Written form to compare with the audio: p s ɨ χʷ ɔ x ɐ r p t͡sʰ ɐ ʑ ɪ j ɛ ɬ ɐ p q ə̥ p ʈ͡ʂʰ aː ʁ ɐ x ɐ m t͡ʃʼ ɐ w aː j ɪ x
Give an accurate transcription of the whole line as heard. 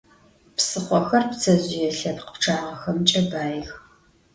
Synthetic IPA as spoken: p s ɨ χʷ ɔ x ɐ r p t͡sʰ ɐ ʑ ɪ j ɛ ɬ ɐ p q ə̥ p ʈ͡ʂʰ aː ʁ ɐ x ɐ m t͡ʃʼ ɐ b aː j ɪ x